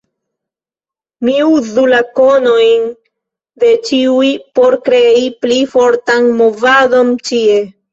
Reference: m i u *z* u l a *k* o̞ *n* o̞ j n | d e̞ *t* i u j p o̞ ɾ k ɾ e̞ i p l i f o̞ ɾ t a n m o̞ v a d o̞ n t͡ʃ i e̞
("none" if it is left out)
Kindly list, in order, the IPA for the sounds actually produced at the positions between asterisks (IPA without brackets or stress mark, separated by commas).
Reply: z, k, n, t͡ʃ